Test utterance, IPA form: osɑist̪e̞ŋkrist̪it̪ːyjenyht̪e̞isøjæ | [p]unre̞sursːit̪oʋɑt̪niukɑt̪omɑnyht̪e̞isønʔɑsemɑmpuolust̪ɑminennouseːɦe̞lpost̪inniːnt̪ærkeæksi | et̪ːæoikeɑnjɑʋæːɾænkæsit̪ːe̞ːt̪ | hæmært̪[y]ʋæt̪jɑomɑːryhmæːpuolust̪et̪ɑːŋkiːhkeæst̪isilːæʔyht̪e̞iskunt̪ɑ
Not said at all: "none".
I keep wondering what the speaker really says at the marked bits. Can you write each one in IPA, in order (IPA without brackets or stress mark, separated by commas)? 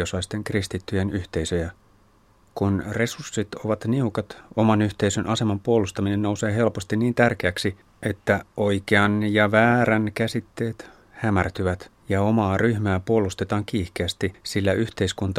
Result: k, y